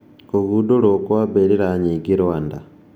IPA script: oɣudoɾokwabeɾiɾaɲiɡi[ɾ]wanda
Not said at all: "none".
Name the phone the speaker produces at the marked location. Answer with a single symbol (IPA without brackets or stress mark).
ɾ